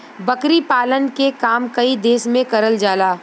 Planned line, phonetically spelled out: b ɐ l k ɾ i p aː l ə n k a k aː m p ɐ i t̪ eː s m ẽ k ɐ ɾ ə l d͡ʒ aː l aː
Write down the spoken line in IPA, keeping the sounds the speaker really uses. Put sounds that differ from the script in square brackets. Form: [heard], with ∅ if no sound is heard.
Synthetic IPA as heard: b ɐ [∅] k ɾ i p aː l ə n k [e] k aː m [k] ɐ i [d̪] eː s m ẽ k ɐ ɾ ə l d͡ʒ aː l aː